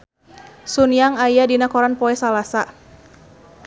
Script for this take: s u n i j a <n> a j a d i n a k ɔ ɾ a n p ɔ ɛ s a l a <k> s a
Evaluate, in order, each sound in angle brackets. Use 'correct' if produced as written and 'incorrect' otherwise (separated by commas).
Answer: incorrect, incorrect